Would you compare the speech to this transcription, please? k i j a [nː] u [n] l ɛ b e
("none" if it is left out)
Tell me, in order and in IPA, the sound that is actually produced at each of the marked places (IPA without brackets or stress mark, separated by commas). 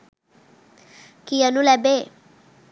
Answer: n, none